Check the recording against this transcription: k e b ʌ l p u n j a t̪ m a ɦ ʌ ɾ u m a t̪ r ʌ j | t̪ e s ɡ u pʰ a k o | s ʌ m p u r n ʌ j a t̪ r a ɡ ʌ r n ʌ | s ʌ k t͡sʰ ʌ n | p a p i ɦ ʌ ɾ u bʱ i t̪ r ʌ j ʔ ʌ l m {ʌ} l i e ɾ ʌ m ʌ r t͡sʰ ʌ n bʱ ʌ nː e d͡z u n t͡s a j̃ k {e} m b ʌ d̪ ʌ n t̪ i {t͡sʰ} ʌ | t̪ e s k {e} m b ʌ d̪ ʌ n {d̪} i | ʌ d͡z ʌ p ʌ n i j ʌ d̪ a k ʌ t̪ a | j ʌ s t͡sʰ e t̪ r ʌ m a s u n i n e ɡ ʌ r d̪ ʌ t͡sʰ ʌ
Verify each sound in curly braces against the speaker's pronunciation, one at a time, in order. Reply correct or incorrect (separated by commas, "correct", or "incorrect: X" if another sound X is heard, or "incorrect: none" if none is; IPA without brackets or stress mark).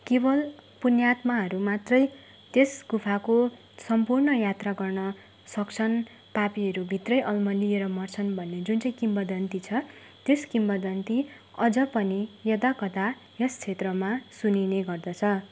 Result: correct, incorrect: i, correct, incorrect: i, incorrect: t̪